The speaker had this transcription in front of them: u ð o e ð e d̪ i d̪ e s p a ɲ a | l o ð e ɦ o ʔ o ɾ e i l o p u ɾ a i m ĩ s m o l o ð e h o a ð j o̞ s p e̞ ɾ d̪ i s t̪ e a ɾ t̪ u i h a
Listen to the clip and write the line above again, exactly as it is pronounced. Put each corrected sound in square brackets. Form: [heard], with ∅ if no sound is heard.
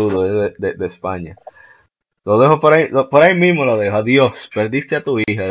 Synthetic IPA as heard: u ð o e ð e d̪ [e] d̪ e s p a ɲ a | l o ð e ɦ o [p] o ɾ [a] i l o p [o] ɾ a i m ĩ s m o l o ð e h o a ð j o̞ s p e̞ ɾ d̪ i s t̪ e a [∅] t̪ u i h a